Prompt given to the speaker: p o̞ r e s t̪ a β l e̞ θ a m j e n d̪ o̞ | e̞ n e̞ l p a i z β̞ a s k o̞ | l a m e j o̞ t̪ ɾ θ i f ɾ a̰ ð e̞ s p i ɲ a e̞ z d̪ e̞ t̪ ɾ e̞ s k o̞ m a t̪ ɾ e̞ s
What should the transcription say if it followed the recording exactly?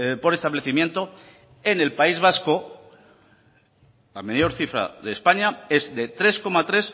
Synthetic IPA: p o̞ ɾ e s t̪ a β l e̞ θ i m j e n t̪ o̞ | e̞ n e̞ l p a i z β̞ a s k o̞ | l a m e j o̞ ɾ θ i f ɾ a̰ ð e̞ s p a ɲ a e̞ z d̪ e̞ t̪ ɾ e̞ s k o̞ m a t̪ ɾ e̞ s

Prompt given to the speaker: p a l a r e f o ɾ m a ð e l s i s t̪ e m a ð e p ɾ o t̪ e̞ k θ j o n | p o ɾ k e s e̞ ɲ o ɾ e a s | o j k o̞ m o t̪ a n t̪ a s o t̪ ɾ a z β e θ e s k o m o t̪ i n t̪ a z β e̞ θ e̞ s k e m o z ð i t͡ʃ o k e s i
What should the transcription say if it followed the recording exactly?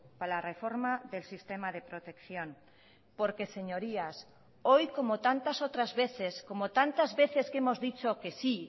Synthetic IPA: p a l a r e f o ɾ m a ð e l s i s t̪ e m a ð e p ɾ o t̪ e̞ k θ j o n | p o ɾ k e s e̞ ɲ o ɾ i a s | o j k o̞ m o t̪ a n t̪ a s o t̪ ɾ a z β e θ e s k o m o t̪ a n t̪ a z β e̞ θ e̞ s k e m o z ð i t͡ʃ o k e s i

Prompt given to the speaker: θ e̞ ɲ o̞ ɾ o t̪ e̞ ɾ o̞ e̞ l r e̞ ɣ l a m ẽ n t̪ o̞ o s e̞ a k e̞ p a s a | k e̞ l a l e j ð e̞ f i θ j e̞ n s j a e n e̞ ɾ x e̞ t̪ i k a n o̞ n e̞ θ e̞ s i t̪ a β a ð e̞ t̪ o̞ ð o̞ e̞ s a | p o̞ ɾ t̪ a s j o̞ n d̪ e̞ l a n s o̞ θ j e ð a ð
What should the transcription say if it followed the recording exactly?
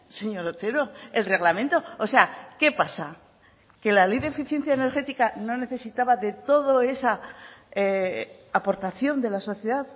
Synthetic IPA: s e̞ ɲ o̞ ɾ o t̪ e̞ ɾ o̞ e̞ l r e̞ ɣ l a m ẽ n t̪ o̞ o s e̞ a k e̞ p a s a | k e̞ l a l e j ð e̞ f i θ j e̞ n θ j a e n e̞ ɾ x e̞ t̪ i k a n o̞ n e̞ θ e̞ s i t̪ a β a ð e̞ t̪ o̞ ð o̞ e̞ s a | p o̞ ɾ t̪ a θ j o̞ n d̪ e̞ l a s o̞ θ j e ð a ð

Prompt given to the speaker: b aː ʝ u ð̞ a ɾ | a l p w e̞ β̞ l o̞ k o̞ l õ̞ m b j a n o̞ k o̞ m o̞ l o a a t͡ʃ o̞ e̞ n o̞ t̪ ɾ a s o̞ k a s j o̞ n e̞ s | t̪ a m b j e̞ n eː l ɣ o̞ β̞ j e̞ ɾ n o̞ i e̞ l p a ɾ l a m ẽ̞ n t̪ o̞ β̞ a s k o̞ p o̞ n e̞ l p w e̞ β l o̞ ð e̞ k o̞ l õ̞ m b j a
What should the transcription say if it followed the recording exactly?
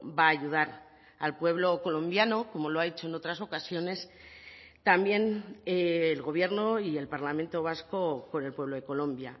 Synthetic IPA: b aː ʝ u ð̞ a ɾ | a l p w e̞ β̞ l o̞ k o̞ l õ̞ m b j a n o̞ k o̞ m o̞ l o a e t͡ʃ o̞ e̞ n o̞ t̪ ɾ a s o̞ k a s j o̞ n e̞ s | t̪ a m b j e̞ n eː l ɣ o̞ β̞ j e̞ ɾ n o̞ i e̞ l p a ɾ l a m ẽ̞ n t̪ o̞ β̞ a s k o̞ k o̞ n e̞ l p w e̞ β l o̞ ð e̞ k o̞ l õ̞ m b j a

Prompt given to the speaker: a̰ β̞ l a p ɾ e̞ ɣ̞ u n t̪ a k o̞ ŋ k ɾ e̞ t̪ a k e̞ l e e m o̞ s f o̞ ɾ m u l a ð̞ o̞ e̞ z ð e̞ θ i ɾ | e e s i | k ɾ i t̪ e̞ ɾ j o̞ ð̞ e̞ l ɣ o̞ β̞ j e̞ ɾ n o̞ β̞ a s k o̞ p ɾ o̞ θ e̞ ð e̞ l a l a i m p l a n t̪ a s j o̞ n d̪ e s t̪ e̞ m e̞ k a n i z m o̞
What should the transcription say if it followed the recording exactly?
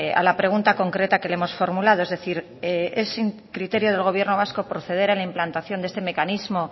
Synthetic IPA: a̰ l a p ɾ e̞ ɣ̞ u n t̪ a k o̞ ŋ k ɾ e̞ t̪ a k e̞ l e e m o̞ s f o̞ ɾ m u l a ð̞ o̞ e̞ z ð e̞ θ i ɾ | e e s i | k ɾ i t̪ e̞ ɾ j o̞ ð̞ e̞ l ɣ o̞ β̞ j e̞ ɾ n o̞ β̞ a s k o̞ p ɾ o̞ θ e̞ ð e̞ ɾ a l a i m p l a n t̪ a θ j o̞ n d̪ e s t̪ e̞ m e̞ k a n i z m o̞

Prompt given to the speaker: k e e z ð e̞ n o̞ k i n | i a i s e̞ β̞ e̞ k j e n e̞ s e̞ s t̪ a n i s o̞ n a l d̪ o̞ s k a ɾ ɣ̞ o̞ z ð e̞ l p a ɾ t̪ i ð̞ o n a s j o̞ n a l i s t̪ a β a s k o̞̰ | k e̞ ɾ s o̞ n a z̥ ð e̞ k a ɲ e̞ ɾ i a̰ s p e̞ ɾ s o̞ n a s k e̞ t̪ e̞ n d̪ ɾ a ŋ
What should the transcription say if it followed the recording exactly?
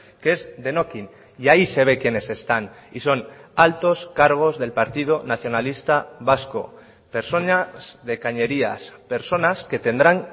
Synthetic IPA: k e e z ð e̞ n o̞ k i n | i a i s e̞ β̞ e̞ k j e n e̞ s e̞ s t̪ a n i s o̞ n a l t̪ o̞ s k a ɾ ɣ̞ o̞ z ð e̞ l p a ɾ t̪ i ð̞ o n a θ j o̞ n a l i s t̪ a β a s k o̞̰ | p e̞ ɾ s o̞ n a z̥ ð e̞ k a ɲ e̞ ɾ i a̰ s p e̞ ɾ s o̞ n a s k e̞ t̪ e̞ n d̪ ɾ a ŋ

